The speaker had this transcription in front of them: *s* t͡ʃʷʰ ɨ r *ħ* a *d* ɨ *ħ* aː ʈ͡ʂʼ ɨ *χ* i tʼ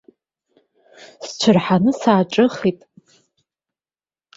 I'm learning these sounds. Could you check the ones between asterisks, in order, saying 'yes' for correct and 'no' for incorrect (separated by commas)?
yes, yes, no, no, yes